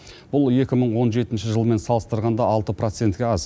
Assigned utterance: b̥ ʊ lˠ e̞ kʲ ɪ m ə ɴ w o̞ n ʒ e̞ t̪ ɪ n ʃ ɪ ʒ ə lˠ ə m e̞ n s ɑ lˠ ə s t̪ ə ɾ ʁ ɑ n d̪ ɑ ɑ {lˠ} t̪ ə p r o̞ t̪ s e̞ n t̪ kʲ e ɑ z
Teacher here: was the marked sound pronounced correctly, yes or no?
yes